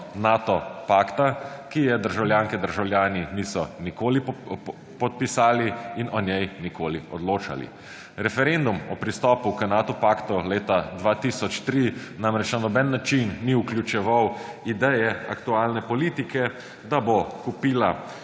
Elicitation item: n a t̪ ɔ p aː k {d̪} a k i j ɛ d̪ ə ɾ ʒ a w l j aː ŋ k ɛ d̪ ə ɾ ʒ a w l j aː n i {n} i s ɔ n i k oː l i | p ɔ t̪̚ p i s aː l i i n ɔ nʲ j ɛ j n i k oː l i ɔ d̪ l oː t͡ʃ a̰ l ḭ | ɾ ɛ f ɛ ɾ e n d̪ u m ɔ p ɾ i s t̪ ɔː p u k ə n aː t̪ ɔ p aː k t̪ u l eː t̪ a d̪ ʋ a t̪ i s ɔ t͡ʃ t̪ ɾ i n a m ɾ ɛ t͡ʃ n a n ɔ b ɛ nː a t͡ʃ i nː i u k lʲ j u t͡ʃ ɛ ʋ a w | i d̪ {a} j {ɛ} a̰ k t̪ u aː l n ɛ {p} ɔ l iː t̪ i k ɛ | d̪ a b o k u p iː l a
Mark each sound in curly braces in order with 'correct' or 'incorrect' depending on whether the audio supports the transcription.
incorrect: t̪, correct, incorrect: ɛ, correct, correct

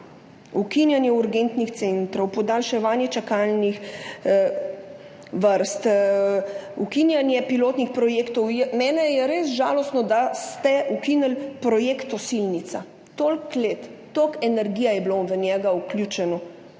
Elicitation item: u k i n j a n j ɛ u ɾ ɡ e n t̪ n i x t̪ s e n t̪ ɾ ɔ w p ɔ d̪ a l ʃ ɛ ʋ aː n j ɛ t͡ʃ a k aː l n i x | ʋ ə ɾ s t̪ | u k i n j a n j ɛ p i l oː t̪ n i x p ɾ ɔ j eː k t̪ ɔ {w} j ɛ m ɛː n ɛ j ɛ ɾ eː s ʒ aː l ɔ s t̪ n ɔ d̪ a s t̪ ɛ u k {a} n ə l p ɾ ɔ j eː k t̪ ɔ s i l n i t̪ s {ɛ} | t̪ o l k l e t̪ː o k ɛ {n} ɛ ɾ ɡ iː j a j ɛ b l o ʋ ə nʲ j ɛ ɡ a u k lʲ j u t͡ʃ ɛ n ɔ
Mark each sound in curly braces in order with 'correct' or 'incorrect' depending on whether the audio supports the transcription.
correct, incorrect: i, incorrect: a, correct

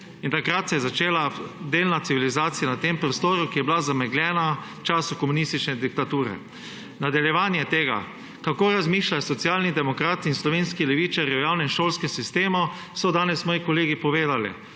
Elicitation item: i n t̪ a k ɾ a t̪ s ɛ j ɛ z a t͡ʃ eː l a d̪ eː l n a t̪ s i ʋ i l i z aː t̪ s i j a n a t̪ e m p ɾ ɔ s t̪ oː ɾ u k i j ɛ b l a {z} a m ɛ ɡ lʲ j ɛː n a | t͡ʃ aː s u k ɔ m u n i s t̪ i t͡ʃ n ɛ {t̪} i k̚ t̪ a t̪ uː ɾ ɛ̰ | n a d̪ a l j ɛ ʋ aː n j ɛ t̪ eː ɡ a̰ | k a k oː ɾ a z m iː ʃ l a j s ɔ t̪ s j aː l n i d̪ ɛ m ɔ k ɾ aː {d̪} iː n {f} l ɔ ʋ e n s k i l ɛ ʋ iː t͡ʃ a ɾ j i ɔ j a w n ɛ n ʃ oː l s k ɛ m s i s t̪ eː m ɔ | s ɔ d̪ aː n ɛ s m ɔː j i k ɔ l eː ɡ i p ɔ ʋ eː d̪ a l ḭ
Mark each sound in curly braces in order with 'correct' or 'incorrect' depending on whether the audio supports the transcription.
correct, incorrect: d̪, incorrect: t̪, incorrect: s

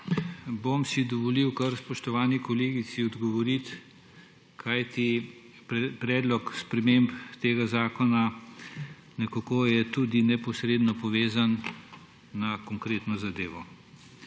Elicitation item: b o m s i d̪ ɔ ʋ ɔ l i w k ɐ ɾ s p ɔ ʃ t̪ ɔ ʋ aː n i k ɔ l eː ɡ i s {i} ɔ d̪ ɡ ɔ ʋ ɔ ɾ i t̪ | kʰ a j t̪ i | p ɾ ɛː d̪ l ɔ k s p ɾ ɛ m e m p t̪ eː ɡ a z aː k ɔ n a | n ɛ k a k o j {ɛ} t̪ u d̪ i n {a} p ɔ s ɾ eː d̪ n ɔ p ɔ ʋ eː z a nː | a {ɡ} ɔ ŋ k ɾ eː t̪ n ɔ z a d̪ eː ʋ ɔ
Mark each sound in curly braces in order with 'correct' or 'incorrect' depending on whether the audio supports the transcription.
correct, correct, incorrect: ɛ, incorrect: k

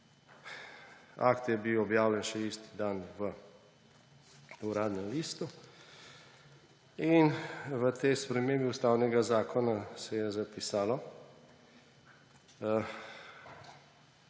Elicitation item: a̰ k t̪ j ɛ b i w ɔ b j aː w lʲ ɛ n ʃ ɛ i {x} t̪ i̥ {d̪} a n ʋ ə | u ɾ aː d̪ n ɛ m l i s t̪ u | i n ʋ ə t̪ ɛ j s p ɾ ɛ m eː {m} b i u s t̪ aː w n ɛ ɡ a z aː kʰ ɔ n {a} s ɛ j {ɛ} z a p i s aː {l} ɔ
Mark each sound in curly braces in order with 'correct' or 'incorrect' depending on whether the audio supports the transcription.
incorrect: s, correct, correct, correct, correct, correct

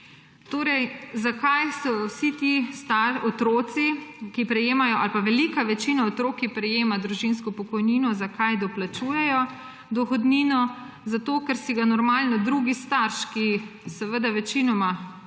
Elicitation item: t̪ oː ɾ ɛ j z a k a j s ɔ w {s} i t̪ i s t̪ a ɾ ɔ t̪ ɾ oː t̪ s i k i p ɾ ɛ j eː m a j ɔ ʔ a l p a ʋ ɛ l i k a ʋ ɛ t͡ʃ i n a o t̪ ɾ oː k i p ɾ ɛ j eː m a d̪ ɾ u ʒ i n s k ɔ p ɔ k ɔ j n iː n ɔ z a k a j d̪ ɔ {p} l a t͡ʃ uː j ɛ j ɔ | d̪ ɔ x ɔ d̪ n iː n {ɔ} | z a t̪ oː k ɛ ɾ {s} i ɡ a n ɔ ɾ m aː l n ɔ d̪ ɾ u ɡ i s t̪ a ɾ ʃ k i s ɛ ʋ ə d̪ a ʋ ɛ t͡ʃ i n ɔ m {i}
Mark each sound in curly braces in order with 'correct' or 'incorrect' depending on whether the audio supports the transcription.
correct, correct, correct, correct, incorrect: a

